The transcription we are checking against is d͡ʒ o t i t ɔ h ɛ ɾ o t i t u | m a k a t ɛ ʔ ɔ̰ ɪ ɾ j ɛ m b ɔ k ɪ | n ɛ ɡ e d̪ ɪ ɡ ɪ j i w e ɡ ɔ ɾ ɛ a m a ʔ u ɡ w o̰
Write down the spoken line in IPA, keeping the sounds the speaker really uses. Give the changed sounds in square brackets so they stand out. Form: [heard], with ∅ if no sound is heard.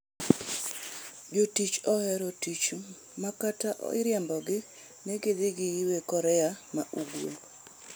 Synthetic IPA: d͡ʒ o t i [t͡ʃ] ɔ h ɛ ɾ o t i [t͡ʃ] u | m a k a t [a] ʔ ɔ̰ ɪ ɾ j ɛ m b ɔ [ɡ] ɪ | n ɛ ɡ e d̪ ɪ ɡ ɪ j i w e [k] ɔ ɾ ɛ a m a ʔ u ɡ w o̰

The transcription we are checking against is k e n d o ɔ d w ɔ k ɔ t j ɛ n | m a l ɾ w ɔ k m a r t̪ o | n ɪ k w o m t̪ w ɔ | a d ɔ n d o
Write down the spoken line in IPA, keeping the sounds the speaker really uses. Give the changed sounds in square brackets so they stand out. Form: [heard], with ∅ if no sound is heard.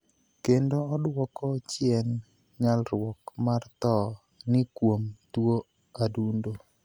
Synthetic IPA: k e n d o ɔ d w ɔ k ɔ [t͡ʃ] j ɛ n | [ɲ] a l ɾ w ɔ k m a r t̪ [ɔ] | n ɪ k w o m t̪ w [o] | a d [u] n d o

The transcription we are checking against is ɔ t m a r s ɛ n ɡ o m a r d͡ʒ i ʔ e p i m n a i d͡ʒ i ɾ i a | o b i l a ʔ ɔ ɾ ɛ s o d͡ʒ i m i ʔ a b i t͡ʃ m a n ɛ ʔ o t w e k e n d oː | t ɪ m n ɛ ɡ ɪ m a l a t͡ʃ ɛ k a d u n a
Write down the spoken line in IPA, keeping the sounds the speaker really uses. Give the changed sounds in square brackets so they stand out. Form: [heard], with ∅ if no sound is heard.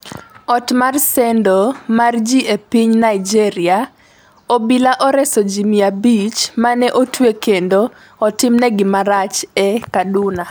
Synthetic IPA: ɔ t m a r s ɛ n [d] o m a r d͡ʒ i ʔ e p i [ɲ] n a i d͡ʒ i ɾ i a | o b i l a ʔ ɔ ɾ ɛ s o d͡ʒ i m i [∅] a b i t͡ʃ m a n ɛ ʔ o t w e k e n d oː | t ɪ m n ɛ ɡ ɪ m a [ɾ] a t͡ʃ ɛ k a d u n a

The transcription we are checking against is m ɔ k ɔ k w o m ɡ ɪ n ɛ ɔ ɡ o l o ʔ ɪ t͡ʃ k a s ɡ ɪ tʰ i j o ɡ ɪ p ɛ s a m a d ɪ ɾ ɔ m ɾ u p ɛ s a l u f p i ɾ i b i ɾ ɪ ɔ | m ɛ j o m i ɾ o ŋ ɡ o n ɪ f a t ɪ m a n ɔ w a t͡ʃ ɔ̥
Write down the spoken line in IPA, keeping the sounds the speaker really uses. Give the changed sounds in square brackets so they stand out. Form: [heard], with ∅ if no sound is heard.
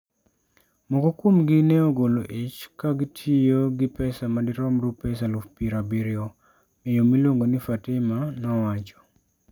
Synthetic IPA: m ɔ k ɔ k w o m ɡ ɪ n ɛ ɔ ɡ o l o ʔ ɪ t͡ʃ k a [∅] ɡ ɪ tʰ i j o ɡ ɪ p ɛ s a m a d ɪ ɾ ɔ m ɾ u p ɛ s a l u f p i ɾ [a] b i ɾ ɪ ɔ | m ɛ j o m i [l] o ŋ ɡ o n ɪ f a t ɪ m a n ɔ w a t͡ʃ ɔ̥

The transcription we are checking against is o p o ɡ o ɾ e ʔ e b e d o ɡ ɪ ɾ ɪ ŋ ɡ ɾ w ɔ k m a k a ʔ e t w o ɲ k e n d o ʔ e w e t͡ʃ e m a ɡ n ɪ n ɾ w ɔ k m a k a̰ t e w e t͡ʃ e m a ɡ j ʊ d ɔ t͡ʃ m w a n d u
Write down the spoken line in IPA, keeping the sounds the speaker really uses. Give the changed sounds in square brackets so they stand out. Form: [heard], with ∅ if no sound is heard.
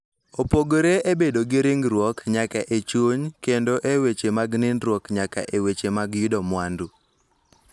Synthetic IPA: o p o ɡ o ɾ e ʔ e b e d o ɡ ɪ ɾ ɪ ŋ ɡ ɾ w ɔ k [ɲ] a k a ʔ e [t͡ʃ] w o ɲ k e n d o ʔ e w e t͡ʃ e m a ɡ n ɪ n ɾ w ɔ k [ɲ] a k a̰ [ʔ] e w e t͡ʃ e m a ɡ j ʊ d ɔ [∅] m w a n d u

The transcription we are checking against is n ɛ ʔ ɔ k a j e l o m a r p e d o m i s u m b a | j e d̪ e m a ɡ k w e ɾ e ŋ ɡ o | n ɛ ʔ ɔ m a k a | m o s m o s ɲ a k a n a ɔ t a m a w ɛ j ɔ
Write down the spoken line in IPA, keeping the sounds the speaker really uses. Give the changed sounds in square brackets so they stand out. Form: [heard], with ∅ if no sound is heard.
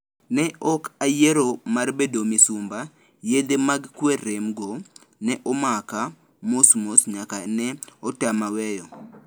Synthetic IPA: n ɛ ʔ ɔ k a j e [ɾ] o m a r [b] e d o m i s u m b a | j e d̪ e m a ɡ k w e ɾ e [m] ɡ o | n ɛ ʔ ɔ m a k a | m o s m o s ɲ a k a n [ɛ] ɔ t a m a w ɛ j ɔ

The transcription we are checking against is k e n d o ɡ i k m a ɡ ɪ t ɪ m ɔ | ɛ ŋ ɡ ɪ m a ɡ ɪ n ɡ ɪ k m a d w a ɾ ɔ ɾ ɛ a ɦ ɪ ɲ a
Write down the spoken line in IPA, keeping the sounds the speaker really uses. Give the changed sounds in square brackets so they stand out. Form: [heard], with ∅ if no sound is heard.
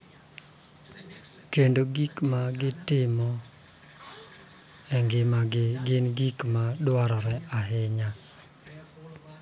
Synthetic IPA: k e n d o ɡ i k m a ɡ ɪ t ɪ m ɔ | ɛ ŋ ɡ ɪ m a ɡ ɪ n ɡ [i] k m a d w a ɾ ɔ ɾ ɛ a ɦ ɪ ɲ a

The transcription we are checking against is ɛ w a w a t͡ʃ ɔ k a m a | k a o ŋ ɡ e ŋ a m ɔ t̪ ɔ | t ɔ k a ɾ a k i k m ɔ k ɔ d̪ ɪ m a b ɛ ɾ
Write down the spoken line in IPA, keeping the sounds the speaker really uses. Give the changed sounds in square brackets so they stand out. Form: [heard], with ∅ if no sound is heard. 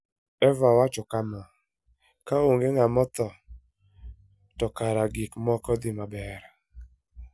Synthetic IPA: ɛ [v] a w a t͡ʃ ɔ k a m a | k a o ŋ ɡ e ŋ a m ɔ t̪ ɔ | t ɔ k a ɾ a [ɡ] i k m ɔ k ɔ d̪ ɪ m a b ɛ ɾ

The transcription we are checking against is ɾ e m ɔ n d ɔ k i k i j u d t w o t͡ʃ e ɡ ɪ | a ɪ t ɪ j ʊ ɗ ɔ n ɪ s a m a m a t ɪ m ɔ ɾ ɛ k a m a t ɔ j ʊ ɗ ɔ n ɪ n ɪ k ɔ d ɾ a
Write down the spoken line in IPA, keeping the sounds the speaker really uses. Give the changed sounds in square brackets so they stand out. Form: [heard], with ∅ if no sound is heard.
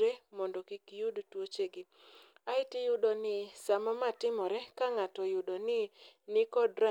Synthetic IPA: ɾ e m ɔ n d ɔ k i k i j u d t w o t͡ʃ e ɡ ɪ | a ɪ t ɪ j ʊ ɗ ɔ n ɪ s a m a m a t ɪ m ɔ ɾ ɛ k a [ŋ] a t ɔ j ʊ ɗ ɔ n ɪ n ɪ k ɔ d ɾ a

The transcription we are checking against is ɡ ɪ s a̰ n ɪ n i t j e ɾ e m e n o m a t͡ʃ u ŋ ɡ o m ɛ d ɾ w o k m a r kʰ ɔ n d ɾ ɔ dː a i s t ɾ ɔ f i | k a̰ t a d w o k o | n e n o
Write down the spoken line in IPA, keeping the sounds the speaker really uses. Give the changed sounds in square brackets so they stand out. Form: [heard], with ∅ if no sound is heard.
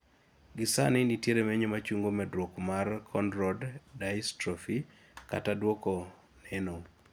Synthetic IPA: ɡ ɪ s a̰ n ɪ n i t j e ɾ e m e [ɲ] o m a t͡ʃ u ŋ ɡ o m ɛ d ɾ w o k m a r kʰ ɔ n d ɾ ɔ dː a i s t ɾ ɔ f i | k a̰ t a d w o k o | n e n o

